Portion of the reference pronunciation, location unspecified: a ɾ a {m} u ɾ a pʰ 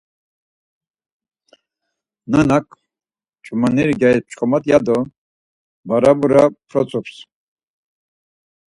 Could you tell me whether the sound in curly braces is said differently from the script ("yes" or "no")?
yes